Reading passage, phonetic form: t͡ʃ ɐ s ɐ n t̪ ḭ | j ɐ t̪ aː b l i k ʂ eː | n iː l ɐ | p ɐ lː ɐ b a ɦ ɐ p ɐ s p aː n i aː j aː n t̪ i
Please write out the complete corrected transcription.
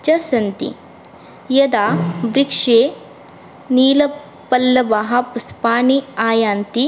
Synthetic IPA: t͡ʃ ɐ s ɐ n t̪ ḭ | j ɐ d̪ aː b ɾ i k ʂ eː | n iː l ɐ | p ɐ lː ɐ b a ɦ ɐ p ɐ s p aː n i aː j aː n t̪ i